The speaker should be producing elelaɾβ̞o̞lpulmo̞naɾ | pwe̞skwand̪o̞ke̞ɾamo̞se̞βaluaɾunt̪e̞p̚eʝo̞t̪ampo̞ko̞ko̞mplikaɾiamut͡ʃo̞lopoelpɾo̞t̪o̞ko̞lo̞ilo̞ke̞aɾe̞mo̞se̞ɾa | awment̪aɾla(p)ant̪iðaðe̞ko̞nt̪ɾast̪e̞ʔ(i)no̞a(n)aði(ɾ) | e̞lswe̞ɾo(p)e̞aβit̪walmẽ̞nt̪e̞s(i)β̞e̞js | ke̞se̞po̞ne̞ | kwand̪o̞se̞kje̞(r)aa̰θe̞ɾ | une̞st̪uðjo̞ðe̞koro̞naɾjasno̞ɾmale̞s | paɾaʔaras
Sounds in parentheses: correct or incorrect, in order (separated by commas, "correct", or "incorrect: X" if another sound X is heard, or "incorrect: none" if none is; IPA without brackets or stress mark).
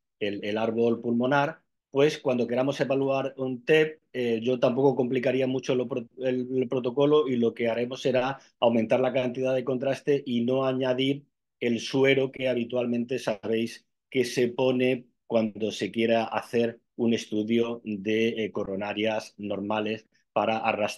incorrect: k, correct, incorrect: ɲ, correct, incorrect: k, incorrect: a, incorrect: ɾ